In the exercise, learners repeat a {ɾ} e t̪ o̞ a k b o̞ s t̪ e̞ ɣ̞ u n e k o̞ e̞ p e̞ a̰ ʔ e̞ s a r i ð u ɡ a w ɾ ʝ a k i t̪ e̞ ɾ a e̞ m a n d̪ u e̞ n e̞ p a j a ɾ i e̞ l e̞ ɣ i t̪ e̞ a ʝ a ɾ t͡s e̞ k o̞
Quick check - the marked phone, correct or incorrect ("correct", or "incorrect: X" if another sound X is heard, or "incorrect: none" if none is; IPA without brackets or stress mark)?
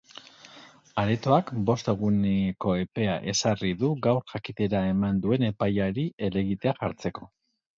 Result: correct